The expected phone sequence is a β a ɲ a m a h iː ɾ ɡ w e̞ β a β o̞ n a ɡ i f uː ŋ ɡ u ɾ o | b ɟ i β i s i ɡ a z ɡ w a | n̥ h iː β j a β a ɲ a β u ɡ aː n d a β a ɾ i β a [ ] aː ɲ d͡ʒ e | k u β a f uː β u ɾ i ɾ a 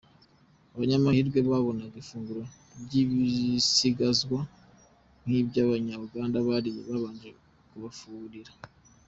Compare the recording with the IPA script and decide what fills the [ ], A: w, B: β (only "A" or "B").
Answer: B